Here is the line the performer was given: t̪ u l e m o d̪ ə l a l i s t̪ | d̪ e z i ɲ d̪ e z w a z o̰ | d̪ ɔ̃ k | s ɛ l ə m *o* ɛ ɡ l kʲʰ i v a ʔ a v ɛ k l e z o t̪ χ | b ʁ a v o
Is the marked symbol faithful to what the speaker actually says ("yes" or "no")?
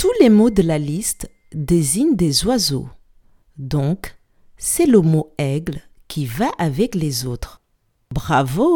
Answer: yes